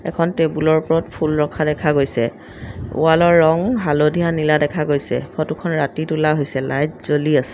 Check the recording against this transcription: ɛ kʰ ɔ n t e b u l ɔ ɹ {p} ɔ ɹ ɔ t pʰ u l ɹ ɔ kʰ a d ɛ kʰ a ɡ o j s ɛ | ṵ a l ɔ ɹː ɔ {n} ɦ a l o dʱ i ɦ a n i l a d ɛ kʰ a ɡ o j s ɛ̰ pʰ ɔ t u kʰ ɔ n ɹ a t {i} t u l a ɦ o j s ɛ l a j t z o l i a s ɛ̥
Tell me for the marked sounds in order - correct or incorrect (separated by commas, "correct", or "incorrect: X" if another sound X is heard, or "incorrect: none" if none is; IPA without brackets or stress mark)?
correct, incorrect: ŋ, correct